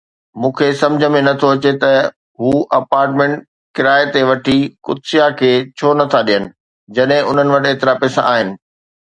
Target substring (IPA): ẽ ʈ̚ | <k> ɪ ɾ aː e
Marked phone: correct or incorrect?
correct